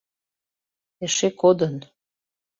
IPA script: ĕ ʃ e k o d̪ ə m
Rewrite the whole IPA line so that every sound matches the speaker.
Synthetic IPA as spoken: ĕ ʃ e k o d̪ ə n